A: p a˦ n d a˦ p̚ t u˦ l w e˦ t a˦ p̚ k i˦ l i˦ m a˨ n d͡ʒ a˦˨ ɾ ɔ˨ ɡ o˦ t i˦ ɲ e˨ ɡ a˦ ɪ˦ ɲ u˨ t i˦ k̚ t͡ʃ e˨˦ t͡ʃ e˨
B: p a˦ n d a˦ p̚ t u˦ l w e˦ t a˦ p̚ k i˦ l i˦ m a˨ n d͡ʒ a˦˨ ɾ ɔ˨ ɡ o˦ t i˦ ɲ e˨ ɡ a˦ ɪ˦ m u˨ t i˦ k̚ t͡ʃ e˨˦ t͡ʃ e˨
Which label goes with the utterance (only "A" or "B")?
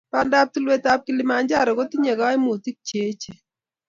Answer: B